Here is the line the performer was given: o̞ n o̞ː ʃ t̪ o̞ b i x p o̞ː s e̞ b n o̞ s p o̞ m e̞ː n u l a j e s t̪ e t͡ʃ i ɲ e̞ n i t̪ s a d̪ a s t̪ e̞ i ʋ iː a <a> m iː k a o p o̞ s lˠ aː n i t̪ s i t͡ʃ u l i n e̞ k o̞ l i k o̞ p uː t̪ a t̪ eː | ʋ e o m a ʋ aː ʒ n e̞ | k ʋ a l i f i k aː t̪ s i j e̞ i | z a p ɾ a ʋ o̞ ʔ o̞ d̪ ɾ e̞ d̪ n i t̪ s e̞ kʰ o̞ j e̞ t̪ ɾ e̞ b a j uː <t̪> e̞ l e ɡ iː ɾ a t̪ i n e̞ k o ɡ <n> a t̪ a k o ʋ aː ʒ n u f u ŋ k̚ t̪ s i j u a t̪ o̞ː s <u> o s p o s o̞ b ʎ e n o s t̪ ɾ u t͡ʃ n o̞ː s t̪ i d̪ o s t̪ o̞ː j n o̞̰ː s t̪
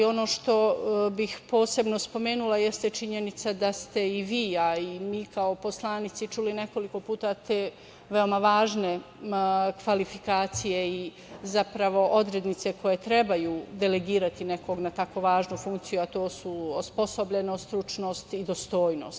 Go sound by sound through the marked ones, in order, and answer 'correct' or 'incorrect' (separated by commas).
incorrect, incorrect, correct, correct